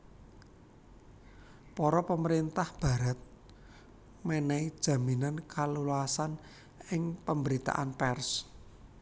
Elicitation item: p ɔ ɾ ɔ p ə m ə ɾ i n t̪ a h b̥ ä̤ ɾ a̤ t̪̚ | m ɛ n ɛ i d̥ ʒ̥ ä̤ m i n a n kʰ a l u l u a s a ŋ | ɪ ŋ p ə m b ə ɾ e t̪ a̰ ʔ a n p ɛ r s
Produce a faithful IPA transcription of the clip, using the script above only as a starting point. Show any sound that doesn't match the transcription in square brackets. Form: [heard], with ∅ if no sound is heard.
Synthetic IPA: p ɔ ɾ ɔ p ə m ə ɾ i n t̪ a h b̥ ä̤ ɾ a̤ t̪̚ | m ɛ n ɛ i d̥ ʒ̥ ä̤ m i n a n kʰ a l u l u a s a [n] | ɪ ŋ p ə m b ə ɾ [i] t̪ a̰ ʔ a n p ɛ r s

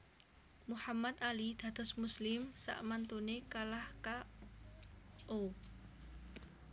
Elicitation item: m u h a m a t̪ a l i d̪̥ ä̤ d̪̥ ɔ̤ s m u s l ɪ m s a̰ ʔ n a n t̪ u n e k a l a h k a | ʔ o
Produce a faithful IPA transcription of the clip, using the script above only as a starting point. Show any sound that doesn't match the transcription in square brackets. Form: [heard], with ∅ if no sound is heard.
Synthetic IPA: m u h a m a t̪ a l i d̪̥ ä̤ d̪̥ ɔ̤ s m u s l ɪ m s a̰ ʔ [m] a n t̪ u n e k a l a h k a | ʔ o

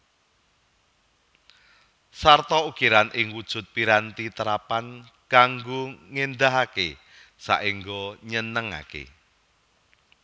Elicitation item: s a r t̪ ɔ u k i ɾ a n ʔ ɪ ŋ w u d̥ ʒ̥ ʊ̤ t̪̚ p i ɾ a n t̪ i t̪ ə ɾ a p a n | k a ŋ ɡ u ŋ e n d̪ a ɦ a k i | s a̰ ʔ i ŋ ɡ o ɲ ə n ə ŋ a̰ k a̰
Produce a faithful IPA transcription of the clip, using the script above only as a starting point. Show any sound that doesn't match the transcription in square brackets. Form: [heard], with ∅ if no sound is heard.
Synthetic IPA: s a r t̪ ɔ u k i ɾ a n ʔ ɪ ŋ w u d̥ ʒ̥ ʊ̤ t̪̚ p i ɾ a n t̪ i t̪ ə ɾ a p a n | k a ŋ ɡ [o] ŋ e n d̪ a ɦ a k [e] | s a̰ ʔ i ŋ ɡ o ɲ ə n ə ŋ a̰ k [ḛ]

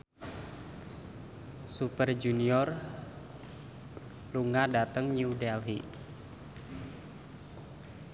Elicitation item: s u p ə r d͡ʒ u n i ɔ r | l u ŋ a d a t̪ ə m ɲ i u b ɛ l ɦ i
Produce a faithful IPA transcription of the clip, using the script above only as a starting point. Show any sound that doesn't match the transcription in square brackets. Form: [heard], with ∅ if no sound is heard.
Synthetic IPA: s u p ə r d͡ʒ u n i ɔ r | l u ŋ a d a t̪ ə [ŋ] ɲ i u [d] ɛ l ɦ i

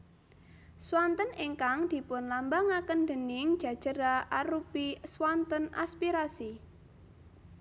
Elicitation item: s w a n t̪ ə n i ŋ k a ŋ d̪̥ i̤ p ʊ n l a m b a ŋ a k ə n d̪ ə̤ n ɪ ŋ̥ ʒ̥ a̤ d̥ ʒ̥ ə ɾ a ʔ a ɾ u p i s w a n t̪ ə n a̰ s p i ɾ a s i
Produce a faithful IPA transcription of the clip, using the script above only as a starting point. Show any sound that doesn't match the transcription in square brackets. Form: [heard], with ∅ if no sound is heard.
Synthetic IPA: s w a n t̪ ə n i ŋ k a ŋ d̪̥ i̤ p ʊ n l a m b a ŋ a k ə n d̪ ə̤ n ɪ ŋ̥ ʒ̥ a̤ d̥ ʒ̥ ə ɾ a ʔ a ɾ u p i s w a n t̪ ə n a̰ s p i ɾ a s i

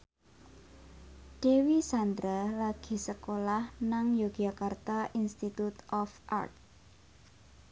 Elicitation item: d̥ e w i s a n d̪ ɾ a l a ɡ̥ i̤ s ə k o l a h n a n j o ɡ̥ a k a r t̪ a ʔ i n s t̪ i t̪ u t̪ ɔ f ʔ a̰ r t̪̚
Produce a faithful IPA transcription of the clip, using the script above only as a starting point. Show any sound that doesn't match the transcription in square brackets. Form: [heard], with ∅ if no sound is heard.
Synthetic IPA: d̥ e w i s a n d̪ ɾ a l a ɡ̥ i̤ s ə k o l a h n a [ŋ] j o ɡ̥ a k a r t̪ a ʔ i n s t̪ i t̪ u t̪ ɔ f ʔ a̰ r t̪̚

